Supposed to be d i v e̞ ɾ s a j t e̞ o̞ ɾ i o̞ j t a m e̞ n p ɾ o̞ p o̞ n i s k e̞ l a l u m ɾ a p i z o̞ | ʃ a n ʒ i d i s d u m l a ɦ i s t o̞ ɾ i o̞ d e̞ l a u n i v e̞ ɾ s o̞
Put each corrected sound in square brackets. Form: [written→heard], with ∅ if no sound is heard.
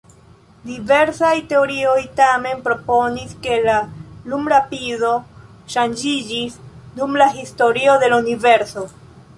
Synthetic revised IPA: d i v e̞ ɾ s a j t e̞ o̞ ɾ i o̞ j t a m e̞ n p ɾ o̞ p o̞ n i s k e̞ l a l u m ɾ a p i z o̞ | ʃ a n [ʒ→d͡ʒ] i [d→d͡ʒ] i s d u m l a ɦ i s t o̞ ɾ i o̞ d e̞ l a u n i v e̞ ɾ s o̞